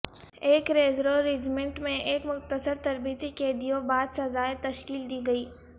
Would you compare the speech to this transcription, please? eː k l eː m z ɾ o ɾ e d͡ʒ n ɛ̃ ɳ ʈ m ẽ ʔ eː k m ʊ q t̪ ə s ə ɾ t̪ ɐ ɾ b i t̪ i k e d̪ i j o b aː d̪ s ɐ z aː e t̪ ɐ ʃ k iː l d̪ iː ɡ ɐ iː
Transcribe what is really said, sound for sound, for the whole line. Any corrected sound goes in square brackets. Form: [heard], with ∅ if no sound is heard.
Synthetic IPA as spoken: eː k [ɾ] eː [∅] z ɾ o ɾ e d͡ʒ [m] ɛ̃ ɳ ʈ m ẽ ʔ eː k m ʊ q t̪ ə s ə ɾ t̪ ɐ ɾ b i t̪ i k e d̪ i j o b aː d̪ s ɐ z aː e t̪ ɐ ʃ k iː l d̪ iː ɡ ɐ iː